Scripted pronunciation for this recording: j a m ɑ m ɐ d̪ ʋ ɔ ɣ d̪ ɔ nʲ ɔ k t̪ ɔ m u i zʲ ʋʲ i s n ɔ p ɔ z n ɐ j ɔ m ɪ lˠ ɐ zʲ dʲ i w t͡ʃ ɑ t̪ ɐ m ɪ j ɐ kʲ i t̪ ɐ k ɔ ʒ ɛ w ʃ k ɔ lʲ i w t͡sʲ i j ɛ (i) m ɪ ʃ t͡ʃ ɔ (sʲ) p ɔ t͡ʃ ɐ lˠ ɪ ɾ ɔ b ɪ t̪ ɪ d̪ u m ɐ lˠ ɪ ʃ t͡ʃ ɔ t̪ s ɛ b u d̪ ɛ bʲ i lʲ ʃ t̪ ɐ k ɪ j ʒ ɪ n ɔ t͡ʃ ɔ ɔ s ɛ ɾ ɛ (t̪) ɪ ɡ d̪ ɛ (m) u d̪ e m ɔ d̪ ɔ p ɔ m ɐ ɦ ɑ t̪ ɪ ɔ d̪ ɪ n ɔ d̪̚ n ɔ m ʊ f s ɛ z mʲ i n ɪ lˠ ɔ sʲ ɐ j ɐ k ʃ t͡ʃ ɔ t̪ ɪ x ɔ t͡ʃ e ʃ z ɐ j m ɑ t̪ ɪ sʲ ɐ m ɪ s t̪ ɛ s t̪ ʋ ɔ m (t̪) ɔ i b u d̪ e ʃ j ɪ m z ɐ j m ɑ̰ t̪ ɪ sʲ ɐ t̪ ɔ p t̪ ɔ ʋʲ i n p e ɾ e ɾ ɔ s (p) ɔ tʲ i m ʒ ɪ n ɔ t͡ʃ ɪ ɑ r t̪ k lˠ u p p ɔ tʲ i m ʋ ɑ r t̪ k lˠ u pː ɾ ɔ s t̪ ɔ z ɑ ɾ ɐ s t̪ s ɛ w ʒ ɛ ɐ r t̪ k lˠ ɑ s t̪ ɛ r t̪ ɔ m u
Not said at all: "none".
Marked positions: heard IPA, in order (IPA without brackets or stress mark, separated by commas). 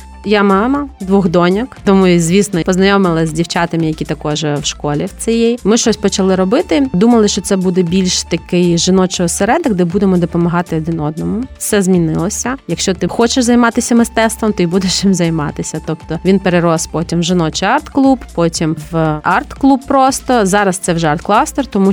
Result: j, sʲ, d̪, b, t̪, p